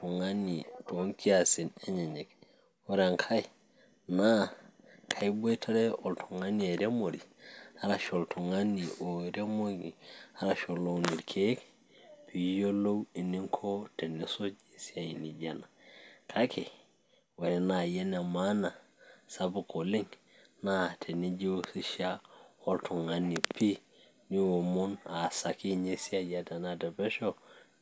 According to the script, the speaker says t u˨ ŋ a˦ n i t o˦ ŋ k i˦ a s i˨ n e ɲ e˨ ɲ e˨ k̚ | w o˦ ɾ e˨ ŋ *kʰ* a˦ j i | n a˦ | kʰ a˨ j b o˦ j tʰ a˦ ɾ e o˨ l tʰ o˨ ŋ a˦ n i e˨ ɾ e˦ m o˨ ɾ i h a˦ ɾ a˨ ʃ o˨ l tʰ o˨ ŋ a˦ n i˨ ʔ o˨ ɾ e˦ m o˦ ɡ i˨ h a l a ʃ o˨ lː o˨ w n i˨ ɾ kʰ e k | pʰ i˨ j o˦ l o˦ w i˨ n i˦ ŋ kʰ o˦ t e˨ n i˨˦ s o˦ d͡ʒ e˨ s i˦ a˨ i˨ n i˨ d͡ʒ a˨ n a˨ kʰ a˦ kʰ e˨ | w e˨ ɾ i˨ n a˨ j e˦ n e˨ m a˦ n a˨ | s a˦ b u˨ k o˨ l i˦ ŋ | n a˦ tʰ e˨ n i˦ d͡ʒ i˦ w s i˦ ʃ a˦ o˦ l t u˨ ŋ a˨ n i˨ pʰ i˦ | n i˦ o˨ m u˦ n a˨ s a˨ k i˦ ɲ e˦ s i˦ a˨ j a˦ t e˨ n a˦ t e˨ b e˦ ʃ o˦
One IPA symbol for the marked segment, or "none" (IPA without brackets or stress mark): kʰ